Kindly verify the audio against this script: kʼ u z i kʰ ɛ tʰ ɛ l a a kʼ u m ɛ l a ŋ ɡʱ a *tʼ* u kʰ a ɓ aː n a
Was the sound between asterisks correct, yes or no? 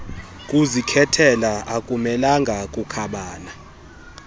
no